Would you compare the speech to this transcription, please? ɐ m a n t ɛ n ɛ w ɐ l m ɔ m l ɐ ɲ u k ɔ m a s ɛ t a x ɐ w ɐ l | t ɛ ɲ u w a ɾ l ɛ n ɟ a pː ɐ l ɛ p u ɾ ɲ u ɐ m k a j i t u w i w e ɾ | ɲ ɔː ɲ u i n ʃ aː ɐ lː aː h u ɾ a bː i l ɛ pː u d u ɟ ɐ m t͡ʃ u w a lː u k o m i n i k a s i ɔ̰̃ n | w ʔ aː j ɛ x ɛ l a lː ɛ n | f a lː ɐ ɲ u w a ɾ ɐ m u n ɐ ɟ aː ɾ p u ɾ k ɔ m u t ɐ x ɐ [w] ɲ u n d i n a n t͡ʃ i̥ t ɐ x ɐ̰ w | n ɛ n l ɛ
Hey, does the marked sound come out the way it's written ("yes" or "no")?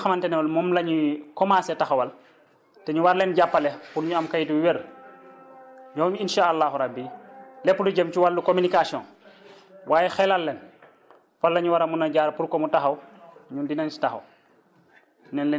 yes